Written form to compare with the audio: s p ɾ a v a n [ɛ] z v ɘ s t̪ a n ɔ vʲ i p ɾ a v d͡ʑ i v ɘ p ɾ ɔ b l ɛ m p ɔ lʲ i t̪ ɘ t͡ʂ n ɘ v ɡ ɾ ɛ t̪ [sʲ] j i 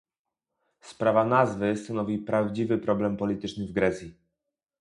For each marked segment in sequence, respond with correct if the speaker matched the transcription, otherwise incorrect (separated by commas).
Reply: incorrect, correct